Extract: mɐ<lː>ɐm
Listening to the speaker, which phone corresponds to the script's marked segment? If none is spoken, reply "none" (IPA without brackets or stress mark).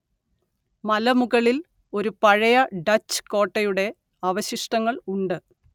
l